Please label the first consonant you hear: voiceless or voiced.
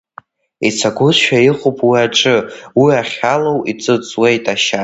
voiceless